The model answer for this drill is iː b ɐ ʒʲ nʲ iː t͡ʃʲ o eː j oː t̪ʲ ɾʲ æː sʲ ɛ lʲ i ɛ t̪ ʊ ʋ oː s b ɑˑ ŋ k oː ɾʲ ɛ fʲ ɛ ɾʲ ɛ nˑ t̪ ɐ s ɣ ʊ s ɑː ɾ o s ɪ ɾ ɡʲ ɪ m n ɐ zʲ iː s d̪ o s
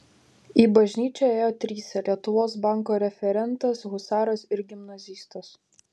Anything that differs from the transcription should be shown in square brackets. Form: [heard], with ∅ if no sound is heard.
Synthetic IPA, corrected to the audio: iː b ɐ ʒʲ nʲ iː t͡ʃʲ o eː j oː t̪ʲ ɾʲ [iː] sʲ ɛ lʲ i ɛ t̪ ʊ ʋ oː s b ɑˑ ŋ k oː ɾʲ ɛ fʲ ɛ ɾʲ ɛ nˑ t̪ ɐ s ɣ ʊ s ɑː ɾ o s ɪ ɾ ɡʲ ɪ m n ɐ zʲ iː s [t̪] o s